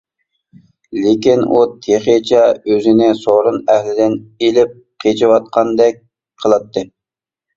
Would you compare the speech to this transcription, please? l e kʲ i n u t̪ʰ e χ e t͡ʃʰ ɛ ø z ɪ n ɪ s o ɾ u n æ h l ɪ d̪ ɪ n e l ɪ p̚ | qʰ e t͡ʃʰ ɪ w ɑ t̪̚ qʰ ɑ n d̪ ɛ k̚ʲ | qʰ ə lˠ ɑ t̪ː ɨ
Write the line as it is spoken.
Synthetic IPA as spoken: l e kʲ i n u t̪ʰ e χ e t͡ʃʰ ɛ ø z ɪ n ɪ s o ɾ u n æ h l ɪ d̪ ɪ n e l ɪ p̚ | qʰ e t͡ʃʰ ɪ w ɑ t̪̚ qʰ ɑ n d̪ ɛ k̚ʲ | qʰ ə lˠ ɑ t̪ː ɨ